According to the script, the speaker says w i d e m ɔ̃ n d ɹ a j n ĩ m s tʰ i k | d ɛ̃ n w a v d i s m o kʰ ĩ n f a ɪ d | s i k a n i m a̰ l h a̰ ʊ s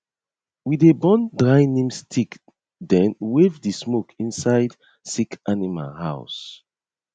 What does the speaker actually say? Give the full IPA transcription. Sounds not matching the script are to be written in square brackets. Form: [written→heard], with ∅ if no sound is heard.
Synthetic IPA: w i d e [m→b] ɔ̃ n d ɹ a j n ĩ m s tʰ i k | d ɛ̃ n w [a→e] v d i s m o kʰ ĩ n [f→s] a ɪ d | s i k a n i m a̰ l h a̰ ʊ s

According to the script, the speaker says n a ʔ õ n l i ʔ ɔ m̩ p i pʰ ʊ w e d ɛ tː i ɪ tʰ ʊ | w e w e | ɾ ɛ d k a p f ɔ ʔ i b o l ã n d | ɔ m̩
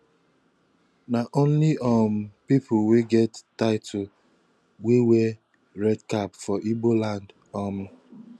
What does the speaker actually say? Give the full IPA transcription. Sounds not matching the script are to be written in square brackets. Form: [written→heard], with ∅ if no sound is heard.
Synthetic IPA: n a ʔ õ n l i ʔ ɔ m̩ p i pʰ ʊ w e [d→ɡ] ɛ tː [i→a] ɪ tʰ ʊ | w e w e | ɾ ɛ d k a p f ɔ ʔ i b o l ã n d | ɔ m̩

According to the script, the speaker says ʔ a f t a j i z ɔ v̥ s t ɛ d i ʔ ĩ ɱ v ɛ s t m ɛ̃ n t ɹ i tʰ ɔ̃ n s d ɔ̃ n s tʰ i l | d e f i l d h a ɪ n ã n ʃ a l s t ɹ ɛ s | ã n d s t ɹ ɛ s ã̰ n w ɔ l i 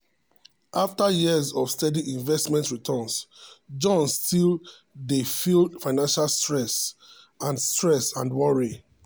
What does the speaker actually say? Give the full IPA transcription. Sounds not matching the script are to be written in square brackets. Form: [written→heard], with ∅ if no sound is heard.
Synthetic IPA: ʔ a f t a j i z ɔ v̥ s t ɛ d i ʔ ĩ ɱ v ɛ s t m ɛ̃ n t ɹ i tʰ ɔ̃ n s [d→d͡ʒ] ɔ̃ n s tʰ i l | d e f i l d [h→f] a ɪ n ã n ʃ a l s t ɹ ɛ s | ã n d s t ɹ ɛ s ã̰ n w ɔ [l→ɹ] i

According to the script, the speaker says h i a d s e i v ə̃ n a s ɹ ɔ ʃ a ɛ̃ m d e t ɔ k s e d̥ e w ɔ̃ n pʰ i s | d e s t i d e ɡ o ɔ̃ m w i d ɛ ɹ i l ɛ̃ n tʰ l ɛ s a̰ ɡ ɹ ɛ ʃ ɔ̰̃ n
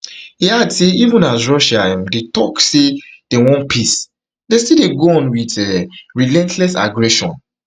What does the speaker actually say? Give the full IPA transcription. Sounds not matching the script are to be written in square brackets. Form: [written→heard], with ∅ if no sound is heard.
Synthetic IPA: h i a d s e i v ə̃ n a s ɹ ɔ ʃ a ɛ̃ m d e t ɔ k s e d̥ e w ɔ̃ n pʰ i s | d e s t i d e ɡ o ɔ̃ [m→n] w i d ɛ ɹ i l ɛ̃ n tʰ l ɛ s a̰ ɡ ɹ ɛ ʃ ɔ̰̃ n

